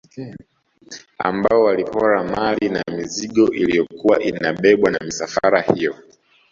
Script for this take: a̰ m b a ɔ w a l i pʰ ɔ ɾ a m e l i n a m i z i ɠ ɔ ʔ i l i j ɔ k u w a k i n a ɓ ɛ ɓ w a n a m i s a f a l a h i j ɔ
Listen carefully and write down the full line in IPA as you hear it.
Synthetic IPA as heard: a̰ m b a ɔ w a l i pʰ ɔ ɾ a m a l i n a m i z i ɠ ɔ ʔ i l i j ɔ k u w a ʔ i n a ɓ ɛ ɓ w a n a m i s a f a ɾ a h i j ɔ